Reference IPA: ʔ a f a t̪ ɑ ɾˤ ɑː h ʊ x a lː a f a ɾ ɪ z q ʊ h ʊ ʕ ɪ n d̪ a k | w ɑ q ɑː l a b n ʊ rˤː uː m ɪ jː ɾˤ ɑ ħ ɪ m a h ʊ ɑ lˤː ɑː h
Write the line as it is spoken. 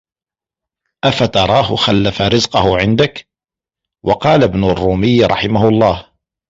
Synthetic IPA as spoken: ʔ a f a t̪ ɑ ɾˤ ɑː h ʊ x a lː a f a ɾ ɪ z q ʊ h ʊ ʕ ɪ n d̪ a k | w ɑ q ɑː l a b n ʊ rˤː uː m ɪ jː ɾˤ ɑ ħ ɪ m a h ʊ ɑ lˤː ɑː h